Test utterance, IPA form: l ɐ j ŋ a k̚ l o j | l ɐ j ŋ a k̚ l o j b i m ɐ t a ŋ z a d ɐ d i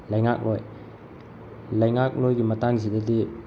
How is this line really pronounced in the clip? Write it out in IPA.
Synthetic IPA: l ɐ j ŋ a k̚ l o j | l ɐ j ŋ a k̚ l o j ɡ i m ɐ t a ŋ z i d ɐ d i